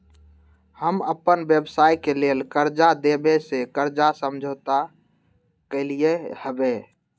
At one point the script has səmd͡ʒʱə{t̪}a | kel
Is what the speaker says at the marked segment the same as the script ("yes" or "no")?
yes